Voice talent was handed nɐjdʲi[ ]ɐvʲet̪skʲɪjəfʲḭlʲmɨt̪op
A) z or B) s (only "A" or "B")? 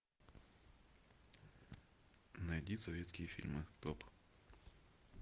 B